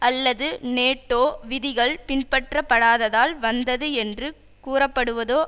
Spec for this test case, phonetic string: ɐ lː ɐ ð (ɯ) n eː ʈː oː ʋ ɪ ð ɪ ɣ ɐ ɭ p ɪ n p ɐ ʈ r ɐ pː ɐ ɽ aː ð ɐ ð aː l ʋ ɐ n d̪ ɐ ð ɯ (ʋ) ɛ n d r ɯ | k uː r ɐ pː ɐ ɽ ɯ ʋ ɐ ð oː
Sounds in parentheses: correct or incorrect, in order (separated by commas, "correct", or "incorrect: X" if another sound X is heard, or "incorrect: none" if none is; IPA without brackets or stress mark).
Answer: correct, incorrect: none